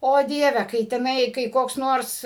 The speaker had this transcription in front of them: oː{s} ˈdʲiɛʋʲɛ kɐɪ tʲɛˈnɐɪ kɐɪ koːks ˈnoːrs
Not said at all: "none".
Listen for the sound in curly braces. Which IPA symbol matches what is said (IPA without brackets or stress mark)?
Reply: none